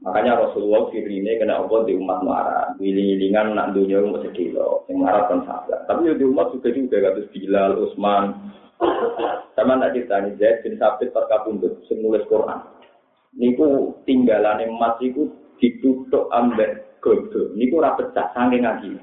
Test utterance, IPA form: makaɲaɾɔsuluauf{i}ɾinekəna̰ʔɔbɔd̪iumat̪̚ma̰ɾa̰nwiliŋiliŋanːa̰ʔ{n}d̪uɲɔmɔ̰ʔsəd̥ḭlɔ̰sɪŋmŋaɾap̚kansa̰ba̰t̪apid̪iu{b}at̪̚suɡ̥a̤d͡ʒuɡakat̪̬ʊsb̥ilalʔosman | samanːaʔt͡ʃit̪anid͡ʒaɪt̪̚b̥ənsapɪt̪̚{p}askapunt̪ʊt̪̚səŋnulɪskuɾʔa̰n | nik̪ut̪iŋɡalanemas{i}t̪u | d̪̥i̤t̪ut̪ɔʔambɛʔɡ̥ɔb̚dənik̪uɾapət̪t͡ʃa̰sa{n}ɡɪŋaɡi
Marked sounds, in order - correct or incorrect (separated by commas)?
correct, correct, incorrect, correct, correct, incorrect